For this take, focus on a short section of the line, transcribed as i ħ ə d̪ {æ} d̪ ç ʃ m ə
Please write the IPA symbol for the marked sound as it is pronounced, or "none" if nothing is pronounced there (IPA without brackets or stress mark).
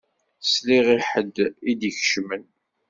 i